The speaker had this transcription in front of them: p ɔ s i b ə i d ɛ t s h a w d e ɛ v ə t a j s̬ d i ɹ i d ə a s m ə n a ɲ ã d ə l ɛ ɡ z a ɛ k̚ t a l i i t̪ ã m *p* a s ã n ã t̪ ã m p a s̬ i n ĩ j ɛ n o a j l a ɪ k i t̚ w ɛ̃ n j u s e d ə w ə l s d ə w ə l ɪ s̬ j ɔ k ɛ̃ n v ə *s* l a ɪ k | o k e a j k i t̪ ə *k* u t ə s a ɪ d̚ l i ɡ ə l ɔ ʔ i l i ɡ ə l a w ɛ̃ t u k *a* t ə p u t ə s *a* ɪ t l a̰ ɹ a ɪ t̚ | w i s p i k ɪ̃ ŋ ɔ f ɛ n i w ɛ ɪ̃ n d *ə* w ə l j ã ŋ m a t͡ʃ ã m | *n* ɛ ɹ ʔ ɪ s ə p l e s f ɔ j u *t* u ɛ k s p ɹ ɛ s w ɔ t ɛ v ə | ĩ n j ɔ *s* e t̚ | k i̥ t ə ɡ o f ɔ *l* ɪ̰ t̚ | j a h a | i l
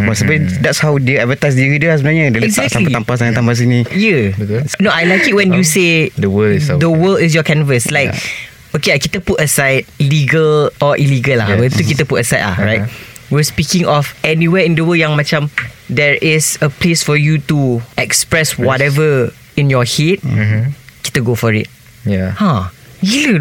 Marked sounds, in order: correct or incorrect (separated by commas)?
correct, correct, incorrect, incorrect, correct, correct, incorrect, correct, incorrect, incorrect